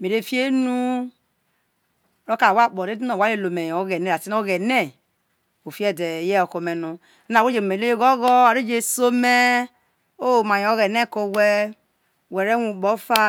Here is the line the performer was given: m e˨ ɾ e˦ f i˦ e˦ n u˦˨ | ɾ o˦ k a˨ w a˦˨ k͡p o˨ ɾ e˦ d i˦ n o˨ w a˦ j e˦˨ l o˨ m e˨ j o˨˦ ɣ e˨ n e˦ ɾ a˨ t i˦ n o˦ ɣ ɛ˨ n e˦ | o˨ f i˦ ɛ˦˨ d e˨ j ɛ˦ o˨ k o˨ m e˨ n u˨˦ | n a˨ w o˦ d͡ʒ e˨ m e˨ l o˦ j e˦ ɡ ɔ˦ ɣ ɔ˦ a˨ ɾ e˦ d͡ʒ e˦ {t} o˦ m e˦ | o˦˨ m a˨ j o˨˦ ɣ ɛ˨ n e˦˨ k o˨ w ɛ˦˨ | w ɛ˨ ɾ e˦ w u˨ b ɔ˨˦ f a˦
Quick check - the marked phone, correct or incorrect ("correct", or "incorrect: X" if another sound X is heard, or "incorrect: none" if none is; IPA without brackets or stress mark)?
incorrect: s